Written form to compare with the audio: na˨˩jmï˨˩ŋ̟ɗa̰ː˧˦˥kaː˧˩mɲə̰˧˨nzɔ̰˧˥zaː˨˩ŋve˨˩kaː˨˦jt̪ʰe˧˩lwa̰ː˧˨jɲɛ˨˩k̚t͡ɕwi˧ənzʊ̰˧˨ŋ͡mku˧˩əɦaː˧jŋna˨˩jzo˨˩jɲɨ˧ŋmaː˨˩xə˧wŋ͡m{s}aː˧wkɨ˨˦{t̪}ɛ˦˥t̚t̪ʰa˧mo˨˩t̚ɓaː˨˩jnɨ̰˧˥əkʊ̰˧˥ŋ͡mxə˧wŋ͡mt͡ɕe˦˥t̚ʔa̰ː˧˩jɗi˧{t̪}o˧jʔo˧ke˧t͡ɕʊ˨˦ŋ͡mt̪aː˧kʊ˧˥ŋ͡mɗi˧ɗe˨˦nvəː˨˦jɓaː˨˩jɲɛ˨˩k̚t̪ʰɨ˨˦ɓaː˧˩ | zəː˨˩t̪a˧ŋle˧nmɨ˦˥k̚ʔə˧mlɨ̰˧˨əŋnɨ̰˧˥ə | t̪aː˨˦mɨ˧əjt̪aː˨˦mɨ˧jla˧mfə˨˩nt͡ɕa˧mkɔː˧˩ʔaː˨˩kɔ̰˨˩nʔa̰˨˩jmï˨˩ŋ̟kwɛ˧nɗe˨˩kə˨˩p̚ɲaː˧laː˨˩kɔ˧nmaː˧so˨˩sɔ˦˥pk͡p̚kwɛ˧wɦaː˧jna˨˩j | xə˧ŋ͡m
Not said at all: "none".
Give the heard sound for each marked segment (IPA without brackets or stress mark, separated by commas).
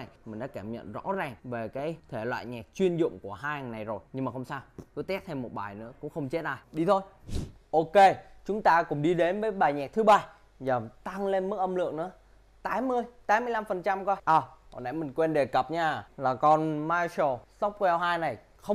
s, t̪, t̪ʰ